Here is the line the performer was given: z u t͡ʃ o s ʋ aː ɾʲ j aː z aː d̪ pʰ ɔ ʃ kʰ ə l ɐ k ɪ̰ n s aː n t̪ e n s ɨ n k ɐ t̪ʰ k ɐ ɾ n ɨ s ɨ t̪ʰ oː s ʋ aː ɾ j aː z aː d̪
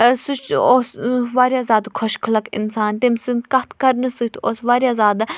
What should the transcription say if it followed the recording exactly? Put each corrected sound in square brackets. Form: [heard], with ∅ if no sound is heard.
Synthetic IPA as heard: [s] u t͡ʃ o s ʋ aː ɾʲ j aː z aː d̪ [kʰ] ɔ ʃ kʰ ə l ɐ k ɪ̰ n s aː n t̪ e [m] s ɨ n k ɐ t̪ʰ k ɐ ɾ n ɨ s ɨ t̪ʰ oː s ʋ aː ɾ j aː z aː d̪